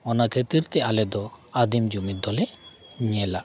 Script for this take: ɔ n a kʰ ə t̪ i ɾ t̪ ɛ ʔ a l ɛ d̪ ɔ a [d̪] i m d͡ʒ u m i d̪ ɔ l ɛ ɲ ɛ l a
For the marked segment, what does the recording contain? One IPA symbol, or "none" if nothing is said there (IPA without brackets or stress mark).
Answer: d̪